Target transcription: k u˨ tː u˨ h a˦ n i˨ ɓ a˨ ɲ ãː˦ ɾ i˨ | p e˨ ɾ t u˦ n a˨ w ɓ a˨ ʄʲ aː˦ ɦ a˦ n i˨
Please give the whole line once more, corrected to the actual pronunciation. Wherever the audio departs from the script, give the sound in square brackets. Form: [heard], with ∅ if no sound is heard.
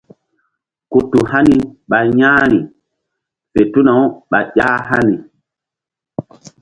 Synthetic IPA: k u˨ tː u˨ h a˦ n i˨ ɓ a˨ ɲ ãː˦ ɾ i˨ | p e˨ [∅] t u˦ n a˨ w ɓ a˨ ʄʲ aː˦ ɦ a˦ n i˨